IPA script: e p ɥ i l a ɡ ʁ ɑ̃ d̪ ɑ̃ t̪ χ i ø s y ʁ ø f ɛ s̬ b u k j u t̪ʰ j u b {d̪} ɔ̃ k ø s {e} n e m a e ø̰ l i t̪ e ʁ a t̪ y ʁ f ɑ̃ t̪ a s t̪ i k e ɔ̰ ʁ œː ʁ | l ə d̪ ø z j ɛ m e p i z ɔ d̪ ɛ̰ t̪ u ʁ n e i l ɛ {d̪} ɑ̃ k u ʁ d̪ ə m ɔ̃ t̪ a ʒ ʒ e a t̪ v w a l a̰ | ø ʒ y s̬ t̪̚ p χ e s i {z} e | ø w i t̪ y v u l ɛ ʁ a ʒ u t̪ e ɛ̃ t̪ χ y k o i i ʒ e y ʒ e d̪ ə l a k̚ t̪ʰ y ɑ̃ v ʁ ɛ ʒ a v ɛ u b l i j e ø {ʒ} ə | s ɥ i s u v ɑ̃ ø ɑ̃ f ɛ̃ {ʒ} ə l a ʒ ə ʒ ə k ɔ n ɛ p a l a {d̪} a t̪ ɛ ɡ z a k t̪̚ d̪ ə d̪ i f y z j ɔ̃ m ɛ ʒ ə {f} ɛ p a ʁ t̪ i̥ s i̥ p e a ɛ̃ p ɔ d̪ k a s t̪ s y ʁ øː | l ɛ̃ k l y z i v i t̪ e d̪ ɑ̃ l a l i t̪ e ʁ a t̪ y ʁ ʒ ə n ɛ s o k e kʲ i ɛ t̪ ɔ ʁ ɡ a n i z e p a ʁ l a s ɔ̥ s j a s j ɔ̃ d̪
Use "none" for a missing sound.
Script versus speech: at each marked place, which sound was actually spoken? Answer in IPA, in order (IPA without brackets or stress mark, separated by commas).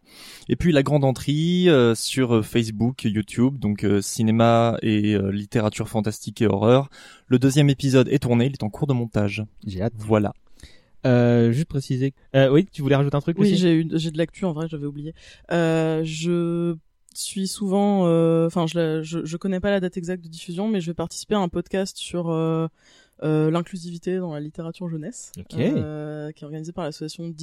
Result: d̪, i, t̪, z, ʒ, ʒ, d̪, v